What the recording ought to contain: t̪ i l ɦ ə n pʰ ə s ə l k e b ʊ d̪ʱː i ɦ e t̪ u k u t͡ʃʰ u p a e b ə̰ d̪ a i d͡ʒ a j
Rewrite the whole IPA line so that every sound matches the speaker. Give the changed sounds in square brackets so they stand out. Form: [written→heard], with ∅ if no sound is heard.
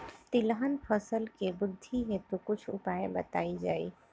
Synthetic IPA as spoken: t̪ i l ɦ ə n pʰ ə s ə l k e b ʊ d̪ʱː i ɦ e t̪ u k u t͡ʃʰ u p a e b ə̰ [d̪→t̪] a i d͡ʒ a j